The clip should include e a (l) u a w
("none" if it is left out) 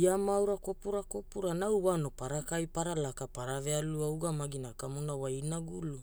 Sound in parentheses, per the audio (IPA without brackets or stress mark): l